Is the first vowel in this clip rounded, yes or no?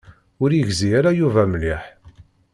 yes